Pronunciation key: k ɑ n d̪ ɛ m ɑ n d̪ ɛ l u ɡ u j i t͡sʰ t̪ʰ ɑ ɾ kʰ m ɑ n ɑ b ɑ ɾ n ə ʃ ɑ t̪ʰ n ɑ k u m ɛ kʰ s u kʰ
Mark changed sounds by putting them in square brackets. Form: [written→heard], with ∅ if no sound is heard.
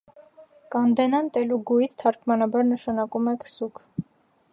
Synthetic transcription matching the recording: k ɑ n d̪ ɛ [m→n] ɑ n [d̪→t̪] ɛ l u ɡ u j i t͡sʰ t̪ʰ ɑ ɾ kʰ m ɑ n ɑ b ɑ ɾ n ə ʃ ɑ [t̪ʰ→∅] n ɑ k u m ɛ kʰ s u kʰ